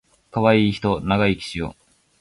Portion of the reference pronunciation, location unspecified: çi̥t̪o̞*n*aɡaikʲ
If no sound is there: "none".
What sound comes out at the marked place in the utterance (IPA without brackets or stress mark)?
n